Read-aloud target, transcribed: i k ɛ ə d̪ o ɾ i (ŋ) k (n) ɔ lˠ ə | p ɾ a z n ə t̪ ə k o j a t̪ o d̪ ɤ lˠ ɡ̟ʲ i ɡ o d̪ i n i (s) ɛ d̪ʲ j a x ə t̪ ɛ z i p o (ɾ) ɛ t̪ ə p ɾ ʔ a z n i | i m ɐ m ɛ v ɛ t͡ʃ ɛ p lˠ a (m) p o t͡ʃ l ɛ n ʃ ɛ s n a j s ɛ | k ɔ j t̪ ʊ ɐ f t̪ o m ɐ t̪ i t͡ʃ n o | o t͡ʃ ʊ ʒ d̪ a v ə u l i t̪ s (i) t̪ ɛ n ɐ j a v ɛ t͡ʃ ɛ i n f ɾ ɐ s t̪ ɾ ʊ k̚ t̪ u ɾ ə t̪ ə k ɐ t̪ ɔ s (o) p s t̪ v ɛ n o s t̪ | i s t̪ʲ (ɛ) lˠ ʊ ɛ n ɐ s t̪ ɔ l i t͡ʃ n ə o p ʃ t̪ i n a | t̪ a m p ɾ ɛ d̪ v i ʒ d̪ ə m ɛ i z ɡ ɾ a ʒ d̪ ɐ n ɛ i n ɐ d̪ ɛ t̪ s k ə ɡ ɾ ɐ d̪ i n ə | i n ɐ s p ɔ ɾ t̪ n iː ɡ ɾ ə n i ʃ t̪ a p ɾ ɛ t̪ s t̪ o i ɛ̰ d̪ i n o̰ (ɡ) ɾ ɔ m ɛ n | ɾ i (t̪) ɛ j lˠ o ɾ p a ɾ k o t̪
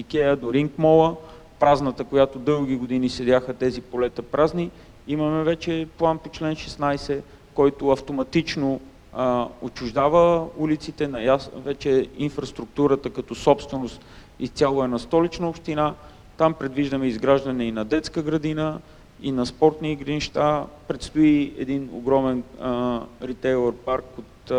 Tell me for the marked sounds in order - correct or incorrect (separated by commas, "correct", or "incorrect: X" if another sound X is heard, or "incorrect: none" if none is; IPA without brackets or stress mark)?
correct, incorrect: m, correct, incorrect: l, incorrect: n, correct, incorrect: ɔ, incorrect: a, correct, correct